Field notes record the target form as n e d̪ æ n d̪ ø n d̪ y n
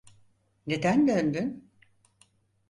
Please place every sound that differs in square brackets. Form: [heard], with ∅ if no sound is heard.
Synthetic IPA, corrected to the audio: n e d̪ æ n d̪ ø n d̪ y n